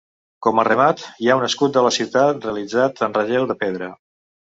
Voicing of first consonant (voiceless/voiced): voiceless